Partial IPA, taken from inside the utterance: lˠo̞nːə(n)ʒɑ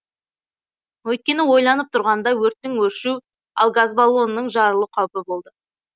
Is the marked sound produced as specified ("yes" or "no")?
no